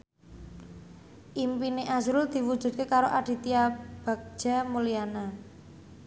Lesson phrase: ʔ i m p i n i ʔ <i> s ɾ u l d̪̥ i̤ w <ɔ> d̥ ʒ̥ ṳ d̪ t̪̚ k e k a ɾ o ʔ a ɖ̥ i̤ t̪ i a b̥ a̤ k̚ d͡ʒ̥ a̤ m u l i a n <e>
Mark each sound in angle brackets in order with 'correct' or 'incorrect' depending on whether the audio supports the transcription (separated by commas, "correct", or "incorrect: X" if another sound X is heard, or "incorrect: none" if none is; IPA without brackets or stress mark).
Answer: incorrect: a, incorrect: u, incorrect: a